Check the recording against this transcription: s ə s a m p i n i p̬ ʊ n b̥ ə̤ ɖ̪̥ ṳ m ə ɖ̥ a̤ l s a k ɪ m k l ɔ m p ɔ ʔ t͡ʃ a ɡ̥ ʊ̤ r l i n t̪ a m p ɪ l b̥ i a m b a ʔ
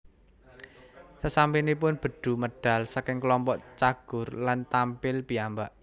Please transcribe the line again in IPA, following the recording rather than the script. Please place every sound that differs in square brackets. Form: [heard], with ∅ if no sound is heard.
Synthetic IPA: s ə s a m p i n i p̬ ʊ n b̥ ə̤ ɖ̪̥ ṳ m ə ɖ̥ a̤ l s a k ɪ [ŋ] k l ɔ m p ɔ ʔ t͡ʃ a ɡ̥ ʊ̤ r l [a] n t̪ a m p ɪ l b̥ i a m b a ʔ